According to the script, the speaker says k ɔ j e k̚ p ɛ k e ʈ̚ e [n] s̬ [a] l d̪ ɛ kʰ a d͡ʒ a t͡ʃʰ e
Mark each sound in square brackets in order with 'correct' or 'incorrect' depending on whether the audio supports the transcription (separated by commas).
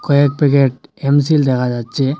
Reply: incorrect, incorrect